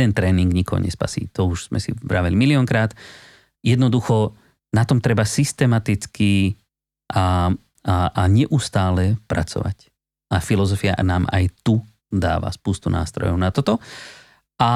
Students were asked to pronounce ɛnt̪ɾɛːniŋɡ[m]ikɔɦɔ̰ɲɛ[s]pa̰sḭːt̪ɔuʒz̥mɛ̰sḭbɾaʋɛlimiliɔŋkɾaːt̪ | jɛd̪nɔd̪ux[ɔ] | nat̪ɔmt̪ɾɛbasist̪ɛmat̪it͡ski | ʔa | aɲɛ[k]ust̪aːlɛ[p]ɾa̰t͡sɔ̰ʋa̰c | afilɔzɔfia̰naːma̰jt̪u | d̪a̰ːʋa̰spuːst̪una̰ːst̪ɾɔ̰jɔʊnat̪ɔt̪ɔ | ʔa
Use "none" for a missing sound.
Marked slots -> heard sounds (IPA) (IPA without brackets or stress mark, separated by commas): ɲ, s, ɔ, ʔ, p